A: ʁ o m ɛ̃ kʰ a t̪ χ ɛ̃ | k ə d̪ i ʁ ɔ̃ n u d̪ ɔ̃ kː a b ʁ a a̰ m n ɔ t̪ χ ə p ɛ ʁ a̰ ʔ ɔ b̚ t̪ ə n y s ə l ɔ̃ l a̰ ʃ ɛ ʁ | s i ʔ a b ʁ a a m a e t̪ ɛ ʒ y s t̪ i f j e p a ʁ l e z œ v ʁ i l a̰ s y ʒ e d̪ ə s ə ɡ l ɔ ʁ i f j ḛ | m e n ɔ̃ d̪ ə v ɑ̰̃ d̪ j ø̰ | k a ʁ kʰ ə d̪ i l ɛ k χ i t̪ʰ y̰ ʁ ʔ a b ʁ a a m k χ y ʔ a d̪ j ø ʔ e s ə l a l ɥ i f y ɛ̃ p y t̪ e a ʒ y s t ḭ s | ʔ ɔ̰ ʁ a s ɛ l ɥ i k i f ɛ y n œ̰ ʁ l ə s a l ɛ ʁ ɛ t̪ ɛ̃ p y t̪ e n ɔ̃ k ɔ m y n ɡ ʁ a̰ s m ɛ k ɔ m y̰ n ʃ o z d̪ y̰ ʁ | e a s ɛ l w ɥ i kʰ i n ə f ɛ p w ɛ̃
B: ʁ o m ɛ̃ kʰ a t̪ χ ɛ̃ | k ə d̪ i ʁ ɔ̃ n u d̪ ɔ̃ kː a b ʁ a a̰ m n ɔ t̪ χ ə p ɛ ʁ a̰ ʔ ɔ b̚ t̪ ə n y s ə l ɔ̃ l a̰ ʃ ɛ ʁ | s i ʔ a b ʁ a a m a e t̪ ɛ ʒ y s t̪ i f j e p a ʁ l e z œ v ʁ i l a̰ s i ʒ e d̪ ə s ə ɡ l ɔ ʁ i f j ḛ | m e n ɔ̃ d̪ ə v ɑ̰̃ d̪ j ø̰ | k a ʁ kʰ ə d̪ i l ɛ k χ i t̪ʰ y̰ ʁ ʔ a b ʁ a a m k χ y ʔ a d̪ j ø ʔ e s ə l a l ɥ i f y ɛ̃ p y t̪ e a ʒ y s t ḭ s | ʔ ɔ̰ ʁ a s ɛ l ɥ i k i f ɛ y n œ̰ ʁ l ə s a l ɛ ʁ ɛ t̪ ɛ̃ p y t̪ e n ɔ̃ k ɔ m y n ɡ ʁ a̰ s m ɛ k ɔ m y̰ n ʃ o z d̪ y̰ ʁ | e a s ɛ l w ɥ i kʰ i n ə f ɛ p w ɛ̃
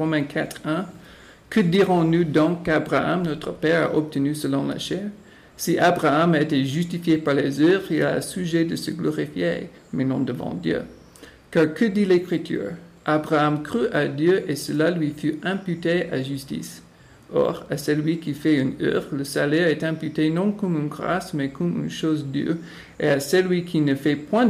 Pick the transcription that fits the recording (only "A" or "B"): A